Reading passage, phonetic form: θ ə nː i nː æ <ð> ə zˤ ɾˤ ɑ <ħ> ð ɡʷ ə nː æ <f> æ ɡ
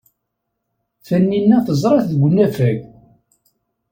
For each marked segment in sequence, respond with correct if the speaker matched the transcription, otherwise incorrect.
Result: incorrect: θ, incorrect: θ, correct

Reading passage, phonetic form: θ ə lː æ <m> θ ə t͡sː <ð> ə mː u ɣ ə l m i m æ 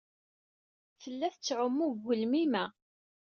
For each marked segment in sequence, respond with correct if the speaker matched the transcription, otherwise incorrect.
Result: incorrect: none, incorrect: ʕ

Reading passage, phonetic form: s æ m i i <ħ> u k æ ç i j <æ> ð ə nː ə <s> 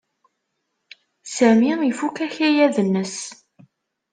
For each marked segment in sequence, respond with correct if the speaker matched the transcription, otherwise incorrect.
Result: incorrect: f, correct, correct

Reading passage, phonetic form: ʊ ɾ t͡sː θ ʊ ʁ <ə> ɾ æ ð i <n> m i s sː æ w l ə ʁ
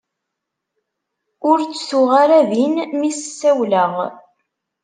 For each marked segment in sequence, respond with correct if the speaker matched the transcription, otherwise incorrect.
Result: incorrect: a, correct

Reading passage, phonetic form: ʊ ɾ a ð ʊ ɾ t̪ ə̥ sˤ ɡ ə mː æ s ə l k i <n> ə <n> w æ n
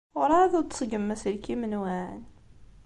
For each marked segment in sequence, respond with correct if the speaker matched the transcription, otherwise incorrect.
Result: incorrect: m, correct

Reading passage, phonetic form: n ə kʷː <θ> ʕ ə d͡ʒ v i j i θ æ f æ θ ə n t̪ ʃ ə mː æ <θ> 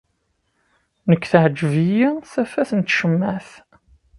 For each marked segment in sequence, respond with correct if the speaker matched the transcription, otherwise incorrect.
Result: correct, correct

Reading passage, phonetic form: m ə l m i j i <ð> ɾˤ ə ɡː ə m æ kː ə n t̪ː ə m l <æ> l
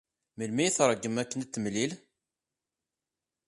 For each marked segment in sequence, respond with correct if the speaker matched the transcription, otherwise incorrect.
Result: incorrect: θ, incorrect: i

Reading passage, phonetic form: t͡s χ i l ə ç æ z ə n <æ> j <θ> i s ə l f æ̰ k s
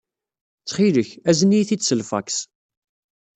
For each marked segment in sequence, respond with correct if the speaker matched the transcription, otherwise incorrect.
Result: incorrect: i, correct

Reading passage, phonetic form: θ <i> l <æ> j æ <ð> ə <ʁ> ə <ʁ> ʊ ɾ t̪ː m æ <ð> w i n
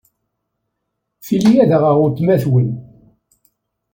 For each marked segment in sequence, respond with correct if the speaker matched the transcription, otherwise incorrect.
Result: correct, incorrect: i, correct, correct, correct, incorrect: θ

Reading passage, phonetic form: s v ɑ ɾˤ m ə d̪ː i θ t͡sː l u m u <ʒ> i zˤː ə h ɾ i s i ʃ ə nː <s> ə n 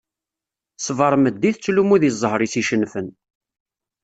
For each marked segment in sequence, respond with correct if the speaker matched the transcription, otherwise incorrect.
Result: incorrect: ð, incorrect: f

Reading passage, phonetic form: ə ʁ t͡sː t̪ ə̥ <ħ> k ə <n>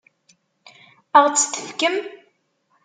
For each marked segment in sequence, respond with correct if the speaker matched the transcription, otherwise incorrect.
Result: incorrect: f, incorrect: m

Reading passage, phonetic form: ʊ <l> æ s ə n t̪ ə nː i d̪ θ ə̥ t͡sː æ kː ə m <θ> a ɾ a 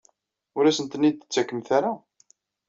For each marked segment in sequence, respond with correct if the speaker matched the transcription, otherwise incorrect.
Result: incorrect: ɾ, correct

